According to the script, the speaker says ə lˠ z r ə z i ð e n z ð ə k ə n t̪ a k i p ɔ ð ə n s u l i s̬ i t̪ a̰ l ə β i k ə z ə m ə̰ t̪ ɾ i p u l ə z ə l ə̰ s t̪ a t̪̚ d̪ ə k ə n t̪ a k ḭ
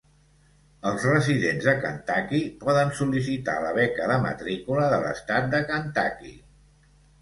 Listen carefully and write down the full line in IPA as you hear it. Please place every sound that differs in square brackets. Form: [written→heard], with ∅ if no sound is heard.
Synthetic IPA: ə lˠ z r ə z i ð e n z ð ə k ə n t̪ a k i p ɔ ð ə n s u l i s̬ i t̪ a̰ l ə β [i→ɛ] k ə [z→ð] ə m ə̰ t̪ ɾ i [p→k] u l ə [z→ð] ə l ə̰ s t̪ a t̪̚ d̪ ə k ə n t̪ a k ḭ